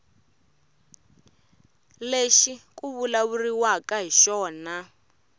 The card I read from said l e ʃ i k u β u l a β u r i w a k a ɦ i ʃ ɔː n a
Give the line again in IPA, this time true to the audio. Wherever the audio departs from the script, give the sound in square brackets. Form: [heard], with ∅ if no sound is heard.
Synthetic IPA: l e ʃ i k u β u l a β u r i w a k a ɦ i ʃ ɔː n a